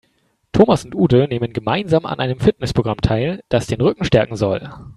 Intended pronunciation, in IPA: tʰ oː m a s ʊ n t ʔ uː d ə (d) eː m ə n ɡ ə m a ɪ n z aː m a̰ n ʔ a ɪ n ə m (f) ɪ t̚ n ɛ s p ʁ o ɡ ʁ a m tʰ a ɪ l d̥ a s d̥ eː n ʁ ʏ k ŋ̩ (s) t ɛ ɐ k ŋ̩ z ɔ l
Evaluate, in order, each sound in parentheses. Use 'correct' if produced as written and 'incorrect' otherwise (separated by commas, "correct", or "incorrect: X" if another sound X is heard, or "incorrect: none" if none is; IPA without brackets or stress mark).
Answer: incorrect: n, correct, incorrect: ʃ